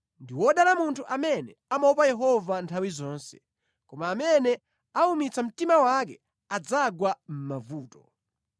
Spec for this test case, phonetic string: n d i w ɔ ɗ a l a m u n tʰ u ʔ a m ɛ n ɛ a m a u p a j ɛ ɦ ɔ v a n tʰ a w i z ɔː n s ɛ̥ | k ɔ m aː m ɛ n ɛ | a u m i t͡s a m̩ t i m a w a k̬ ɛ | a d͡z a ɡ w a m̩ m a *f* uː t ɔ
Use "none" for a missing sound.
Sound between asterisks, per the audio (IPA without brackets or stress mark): v